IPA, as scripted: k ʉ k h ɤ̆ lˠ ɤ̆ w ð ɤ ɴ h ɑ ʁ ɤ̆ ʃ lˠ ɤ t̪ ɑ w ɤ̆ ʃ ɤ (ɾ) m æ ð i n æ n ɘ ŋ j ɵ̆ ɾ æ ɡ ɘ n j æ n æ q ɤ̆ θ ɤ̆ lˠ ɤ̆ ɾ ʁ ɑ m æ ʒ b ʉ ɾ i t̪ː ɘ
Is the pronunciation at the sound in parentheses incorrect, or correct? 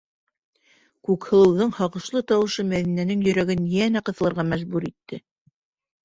incorrect